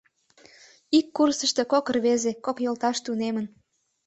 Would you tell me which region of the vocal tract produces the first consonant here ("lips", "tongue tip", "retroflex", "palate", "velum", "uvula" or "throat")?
velum